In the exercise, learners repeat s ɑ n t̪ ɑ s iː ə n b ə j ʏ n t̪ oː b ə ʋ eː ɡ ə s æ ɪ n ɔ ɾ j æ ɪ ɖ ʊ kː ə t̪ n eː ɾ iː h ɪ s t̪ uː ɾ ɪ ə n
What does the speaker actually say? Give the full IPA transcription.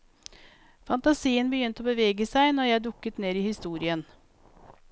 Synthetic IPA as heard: f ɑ n t̪ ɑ s iː ə n b ə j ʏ n t̪ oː b ə ʋ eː ɡ ə s æ ɪ n ɔ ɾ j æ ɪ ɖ ʊ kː ə t̪ n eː ɾ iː h ɪ s t̪ uː ɾ ɪ ə n